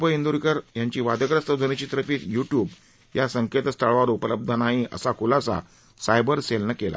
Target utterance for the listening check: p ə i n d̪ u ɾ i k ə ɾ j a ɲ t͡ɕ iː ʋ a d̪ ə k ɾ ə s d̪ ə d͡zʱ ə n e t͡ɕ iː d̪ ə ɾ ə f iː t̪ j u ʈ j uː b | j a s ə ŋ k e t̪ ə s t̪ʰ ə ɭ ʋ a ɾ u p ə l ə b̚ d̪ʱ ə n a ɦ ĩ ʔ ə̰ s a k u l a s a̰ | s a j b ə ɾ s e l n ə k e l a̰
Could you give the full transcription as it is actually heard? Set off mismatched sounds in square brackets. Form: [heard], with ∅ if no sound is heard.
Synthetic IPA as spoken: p ə i n d̪ u ɾ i k ə ɾ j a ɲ t͡ɕ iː ʋ a d̪ ə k ɾ ə s [t̪] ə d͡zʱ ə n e t͡ɕ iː [t̪] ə ɾ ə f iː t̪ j u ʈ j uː b | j a s ə ŋ k e t̪ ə s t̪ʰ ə ɭ ʋ a ɾ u p ə l ə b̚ d̪ʱ ə n a ɦ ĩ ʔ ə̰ s a k u l a s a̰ | s a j b ə ɾ s e l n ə k e l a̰